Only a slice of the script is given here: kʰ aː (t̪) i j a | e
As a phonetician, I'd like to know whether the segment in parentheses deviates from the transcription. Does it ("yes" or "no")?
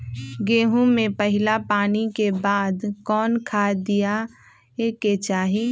yes